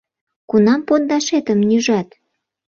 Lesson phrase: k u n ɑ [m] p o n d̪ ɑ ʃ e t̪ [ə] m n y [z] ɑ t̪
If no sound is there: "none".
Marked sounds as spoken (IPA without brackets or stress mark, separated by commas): m, ə, ʒ